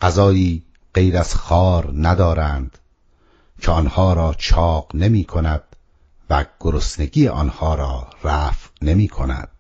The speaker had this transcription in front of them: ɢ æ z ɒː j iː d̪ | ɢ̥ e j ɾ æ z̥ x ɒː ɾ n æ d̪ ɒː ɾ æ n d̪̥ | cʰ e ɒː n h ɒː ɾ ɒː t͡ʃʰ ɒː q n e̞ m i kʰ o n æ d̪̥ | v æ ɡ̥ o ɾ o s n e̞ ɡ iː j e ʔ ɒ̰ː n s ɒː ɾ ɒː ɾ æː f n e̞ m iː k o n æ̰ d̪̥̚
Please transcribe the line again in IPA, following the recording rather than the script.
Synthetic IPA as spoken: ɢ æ z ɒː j iː | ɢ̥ e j ɾ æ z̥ x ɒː ɾ n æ d̪ ɒː ɾ æ n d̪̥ | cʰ e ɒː n h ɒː ɾ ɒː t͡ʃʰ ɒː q n e̞ m iː kʰ o n æ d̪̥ | v æ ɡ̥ o ɾ o s n e̞ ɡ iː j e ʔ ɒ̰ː n h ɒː ɾ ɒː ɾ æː f n e̞ m iː kʰ o n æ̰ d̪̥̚